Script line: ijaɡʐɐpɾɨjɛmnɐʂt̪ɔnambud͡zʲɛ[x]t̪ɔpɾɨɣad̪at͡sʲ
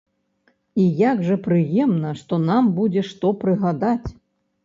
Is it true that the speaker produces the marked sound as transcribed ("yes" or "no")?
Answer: no